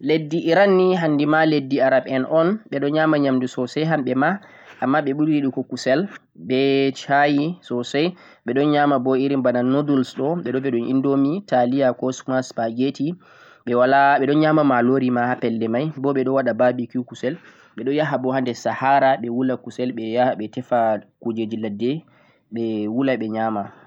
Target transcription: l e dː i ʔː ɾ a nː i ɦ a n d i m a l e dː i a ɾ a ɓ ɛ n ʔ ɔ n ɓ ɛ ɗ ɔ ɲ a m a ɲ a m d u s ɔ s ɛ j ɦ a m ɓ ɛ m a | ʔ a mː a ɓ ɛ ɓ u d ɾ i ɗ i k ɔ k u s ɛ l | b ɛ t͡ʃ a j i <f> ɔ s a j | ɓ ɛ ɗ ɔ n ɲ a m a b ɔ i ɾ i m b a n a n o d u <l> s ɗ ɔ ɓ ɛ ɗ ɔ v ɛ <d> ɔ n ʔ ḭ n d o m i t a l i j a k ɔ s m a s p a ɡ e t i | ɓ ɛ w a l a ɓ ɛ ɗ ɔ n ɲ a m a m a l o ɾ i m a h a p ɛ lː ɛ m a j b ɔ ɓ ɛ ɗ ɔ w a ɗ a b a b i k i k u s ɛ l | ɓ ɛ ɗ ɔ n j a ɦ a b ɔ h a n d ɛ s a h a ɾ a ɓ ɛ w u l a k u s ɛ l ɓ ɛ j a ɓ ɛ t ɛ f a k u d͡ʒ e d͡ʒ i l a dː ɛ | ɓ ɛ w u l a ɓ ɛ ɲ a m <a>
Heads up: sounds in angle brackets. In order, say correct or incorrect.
incorrect, correct, incorrect, correct

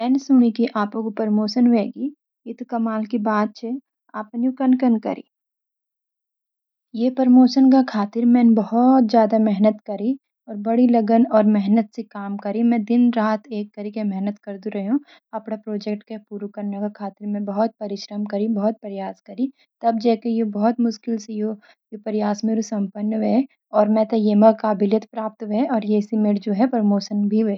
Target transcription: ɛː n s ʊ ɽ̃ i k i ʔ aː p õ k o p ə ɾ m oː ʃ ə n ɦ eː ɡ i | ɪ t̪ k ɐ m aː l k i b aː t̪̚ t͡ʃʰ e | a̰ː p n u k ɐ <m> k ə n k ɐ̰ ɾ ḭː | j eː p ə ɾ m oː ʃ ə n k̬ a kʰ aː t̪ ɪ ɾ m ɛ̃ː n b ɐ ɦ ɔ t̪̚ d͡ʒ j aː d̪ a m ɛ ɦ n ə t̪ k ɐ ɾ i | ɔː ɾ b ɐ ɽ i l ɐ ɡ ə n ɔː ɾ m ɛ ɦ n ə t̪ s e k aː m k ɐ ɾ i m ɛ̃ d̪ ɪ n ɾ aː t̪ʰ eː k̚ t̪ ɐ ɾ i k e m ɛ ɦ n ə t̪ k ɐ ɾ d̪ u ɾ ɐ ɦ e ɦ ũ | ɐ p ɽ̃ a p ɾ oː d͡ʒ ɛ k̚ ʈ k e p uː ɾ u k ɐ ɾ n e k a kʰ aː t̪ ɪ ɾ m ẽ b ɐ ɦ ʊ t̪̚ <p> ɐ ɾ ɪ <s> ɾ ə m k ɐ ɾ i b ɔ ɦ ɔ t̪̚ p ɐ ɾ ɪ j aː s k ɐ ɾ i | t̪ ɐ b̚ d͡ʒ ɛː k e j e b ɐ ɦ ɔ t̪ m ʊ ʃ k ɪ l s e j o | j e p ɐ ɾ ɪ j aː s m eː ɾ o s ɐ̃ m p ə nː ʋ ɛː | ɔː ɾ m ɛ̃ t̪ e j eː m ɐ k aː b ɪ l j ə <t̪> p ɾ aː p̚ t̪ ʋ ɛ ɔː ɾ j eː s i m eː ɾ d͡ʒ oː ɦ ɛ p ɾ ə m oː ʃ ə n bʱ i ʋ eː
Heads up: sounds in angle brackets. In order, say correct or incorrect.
incorrect, correct, incorrect, correct

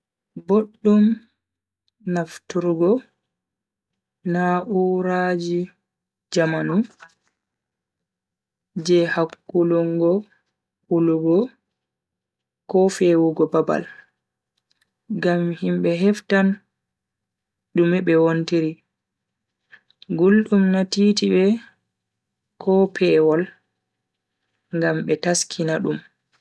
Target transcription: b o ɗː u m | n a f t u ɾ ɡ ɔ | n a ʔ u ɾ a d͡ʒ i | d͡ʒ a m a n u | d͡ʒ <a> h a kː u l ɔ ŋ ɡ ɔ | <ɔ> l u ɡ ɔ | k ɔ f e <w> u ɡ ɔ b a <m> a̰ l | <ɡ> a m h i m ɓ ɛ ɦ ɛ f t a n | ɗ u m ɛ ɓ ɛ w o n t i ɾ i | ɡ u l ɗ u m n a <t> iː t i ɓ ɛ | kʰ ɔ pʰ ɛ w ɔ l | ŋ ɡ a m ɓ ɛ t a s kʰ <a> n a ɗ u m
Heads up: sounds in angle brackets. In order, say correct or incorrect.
incorrect, incorrect, correct, incorrect, correct, correct, incorrect

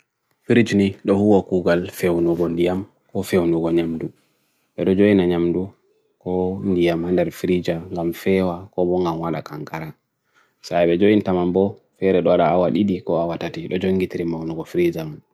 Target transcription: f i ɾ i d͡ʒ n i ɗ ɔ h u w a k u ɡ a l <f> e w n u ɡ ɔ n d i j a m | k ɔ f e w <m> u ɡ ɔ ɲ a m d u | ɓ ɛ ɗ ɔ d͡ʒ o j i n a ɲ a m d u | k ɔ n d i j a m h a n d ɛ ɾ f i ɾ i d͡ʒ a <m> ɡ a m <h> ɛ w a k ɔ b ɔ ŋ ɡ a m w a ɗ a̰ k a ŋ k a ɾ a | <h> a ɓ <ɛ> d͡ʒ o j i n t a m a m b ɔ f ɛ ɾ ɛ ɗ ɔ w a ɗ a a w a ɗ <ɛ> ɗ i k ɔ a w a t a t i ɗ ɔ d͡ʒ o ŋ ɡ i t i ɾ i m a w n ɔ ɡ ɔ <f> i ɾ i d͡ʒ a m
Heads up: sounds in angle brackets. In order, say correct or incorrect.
correct, incorrect, incorrect, incorrect, incorrect, correct, incorrect, correct

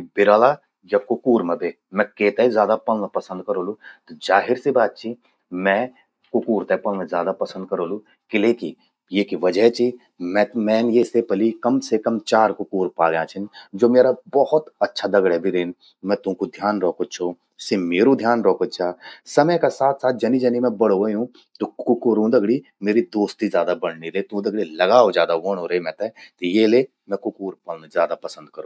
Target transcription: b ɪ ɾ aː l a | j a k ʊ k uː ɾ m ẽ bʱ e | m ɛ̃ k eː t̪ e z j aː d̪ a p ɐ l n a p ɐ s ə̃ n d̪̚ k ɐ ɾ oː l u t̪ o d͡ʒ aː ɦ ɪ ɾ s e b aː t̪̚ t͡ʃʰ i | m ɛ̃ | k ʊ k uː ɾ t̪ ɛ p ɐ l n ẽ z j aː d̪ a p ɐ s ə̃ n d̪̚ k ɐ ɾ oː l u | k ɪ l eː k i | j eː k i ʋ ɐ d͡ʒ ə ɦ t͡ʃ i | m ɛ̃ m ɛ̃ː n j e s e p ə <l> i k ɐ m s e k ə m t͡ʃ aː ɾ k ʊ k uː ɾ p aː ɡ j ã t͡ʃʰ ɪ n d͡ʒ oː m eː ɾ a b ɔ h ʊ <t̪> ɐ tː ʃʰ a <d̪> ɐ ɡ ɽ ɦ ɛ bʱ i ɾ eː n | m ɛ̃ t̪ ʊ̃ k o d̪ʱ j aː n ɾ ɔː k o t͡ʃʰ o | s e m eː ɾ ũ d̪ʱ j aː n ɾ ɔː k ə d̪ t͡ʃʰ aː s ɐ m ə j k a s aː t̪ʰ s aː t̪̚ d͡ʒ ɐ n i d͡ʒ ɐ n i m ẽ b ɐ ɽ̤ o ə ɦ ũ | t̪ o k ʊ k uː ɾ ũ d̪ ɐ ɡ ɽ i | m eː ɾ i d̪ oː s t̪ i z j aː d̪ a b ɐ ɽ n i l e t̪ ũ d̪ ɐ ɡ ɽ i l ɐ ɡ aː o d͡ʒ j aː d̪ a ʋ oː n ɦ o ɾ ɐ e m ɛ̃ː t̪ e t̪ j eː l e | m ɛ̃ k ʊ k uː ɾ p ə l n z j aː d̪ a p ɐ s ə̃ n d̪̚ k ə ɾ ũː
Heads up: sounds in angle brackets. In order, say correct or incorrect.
correct, correct, correct

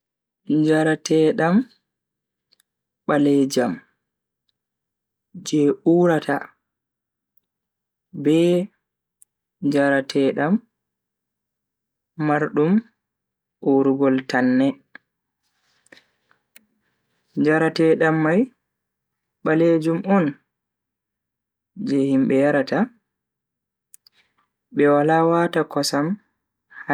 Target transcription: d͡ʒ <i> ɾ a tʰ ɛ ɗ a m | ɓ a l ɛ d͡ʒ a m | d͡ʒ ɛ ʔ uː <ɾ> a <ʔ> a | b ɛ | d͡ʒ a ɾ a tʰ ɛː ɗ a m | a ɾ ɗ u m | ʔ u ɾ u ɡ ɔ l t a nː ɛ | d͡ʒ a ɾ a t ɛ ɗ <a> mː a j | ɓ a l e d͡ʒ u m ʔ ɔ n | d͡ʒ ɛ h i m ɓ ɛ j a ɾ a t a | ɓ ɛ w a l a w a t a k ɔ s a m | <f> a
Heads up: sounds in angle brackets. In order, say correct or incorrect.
incorrect, correct, incorrect, correct, incorrect

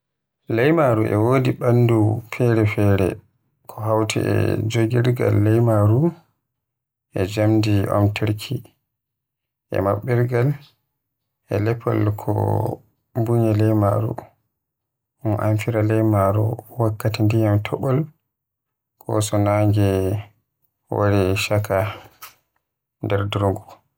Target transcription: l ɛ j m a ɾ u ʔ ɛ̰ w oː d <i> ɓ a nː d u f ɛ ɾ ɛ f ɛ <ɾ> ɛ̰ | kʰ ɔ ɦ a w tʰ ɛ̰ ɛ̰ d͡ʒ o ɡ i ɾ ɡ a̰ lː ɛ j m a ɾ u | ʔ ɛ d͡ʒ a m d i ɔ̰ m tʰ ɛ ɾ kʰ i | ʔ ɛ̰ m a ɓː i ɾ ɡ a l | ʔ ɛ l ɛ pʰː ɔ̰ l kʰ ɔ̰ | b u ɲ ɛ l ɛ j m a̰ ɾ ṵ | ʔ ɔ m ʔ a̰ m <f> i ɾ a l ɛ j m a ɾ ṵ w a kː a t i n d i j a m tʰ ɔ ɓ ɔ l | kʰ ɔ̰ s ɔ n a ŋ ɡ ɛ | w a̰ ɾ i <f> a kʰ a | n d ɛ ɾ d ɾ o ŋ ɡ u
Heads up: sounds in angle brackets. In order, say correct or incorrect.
correct, correct, correct, incorrect

